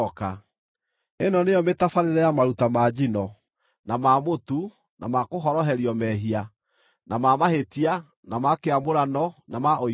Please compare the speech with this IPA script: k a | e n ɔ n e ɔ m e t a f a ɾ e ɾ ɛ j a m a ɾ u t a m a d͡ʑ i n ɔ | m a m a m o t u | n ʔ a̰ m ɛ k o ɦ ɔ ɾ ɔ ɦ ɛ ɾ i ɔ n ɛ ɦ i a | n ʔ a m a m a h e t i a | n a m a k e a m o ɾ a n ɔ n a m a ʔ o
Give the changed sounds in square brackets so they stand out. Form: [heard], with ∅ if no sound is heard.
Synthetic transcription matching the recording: k a | e n ɔ n e ɔ m e t a f a ɾ e ɾ ɛ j a m a ɾ u t a m a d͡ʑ i n ɔ | [n] a m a m o t u | n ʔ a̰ m [a] k o ɦ ɔ ɾ ɔ ɦ ɛ ɾ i ɔ [m] ɛ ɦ i a | n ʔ a m a m a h e t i a | n a m a k e a m o ɾ a n ɔ n a m a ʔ o